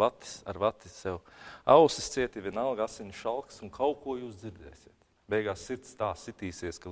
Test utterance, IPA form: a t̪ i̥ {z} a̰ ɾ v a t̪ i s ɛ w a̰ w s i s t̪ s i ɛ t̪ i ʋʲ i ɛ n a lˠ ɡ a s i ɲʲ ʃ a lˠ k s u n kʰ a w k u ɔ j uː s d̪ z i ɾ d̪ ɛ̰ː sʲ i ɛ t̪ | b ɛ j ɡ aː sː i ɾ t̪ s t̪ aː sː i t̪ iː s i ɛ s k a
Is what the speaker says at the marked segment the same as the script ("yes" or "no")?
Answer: no